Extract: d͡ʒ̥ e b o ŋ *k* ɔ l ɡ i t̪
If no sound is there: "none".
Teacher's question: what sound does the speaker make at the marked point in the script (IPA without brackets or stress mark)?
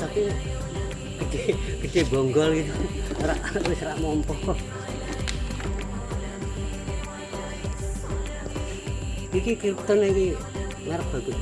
ɡ